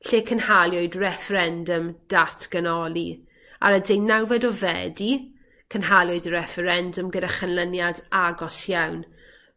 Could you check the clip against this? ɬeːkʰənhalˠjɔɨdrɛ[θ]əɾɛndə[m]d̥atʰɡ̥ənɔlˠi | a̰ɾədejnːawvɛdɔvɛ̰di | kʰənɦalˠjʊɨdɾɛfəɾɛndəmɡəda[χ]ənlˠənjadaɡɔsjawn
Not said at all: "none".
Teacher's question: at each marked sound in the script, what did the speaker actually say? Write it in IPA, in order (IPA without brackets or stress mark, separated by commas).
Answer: f, m, χ